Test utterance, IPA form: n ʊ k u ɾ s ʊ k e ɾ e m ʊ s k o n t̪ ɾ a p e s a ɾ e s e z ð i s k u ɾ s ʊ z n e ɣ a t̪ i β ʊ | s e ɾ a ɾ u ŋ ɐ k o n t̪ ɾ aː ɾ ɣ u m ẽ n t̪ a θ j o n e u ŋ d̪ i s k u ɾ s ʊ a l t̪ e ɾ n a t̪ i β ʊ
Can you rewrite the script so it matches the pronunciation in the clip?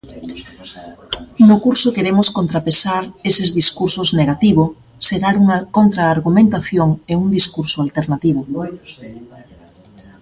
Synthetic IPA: n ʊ k u ɾ s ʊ k e ɾ e m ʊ s k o n t̪ ɾ a p e s a ɾ e s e z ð i s k u ɾ s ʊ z n e ɣ a t̪ i β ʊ | s e ɾ a ɾ u ŋ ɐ k o n t̪ ɾ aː ɾ ɣ u m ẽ n t̪ a θ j o ŋ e u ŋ d̪ i s k u ɾ s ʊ a l t̪ e ɾ n a t̪ i β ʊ